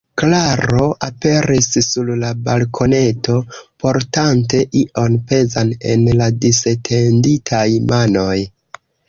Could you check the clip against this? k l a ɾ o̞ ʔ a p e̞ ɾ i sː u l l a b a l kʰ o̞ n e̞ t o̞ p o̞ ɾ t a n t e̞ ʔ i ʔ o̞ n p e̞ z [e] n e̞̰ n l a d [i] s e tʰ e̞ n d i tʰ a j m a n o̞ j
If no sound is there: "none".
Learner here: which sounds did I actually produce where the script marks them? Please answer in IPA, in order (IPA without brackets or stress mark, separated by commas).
a, i